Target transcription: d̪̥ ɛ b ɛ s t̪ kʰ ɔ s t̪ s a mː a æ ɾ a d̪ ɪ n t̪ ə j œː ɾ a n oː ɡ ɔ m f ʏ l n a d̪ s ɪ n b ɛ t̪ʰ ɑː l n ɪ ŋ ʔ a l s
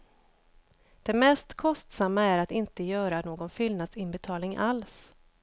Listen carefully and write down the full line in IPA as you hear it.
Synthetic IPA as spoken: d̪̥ ɛ m ɛ s t̪ kʰ ɔ s t̪ s a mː a æ ɾ a t̪ ɪ n t̪ ə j œː ɾ a n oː ɡ ɔ n f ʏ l n a d̪ s ɪ n b ɛ t̪ʰ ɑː l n ɪ ŋ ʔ a l s